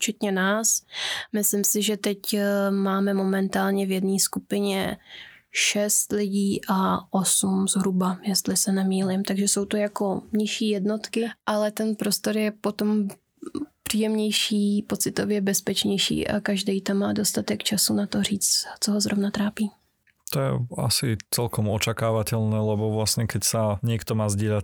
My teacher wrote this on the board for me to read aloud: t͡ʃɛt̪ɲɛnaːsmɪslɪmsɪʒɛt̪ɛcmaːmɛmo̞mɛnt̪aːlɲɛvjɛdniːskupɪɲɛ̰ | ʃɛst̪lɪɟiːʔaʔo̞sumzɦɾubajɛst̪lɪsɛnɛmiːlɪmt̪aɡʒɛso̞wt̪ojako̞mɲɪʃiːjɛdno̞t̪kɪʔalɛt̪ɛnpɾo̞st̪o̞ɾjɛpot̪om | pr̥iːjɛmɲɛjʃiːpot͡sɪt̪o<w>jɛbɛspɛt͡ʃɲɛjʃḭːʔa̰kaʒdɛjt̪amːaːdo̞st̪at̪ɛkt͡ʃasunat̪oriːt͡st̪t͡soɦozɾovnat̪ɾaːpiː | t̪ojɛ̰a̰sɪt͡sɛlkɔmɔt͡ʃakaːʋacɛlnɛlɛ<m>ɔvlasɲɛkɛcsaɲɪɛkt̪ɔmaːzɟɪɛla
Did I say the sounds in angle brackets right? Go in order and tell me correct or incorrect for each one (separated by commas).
incorrect, incorrect